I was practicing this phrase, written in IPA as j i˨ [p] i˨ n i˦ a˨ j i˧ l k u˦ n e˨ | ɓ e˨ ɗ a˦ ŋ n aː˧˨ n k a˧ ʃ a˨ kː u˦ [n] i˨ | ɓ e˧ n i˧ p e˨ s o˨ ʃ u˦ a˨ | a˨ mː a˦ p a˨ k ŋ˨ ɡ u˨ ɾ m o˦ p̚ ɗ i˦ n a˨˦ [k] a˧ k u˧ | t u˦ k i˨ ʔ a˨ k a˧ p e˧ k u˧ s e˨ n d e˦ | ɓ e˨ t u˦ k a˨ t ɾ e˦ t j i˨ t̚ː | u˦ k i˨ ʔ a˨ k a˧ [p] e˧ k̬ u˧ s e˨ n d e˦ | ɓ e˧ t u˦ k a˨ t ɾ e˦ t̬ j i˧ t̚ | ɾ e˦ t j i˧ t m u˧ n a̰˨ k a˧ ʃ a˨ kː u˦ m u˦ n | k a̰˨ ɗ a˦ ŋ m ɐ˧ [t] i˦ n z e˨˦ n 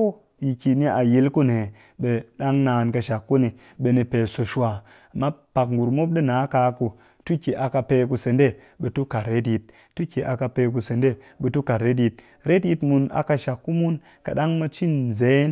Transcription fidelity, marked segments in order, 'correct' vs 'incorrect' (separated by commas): incorrect, correct, correct, correct, incorrect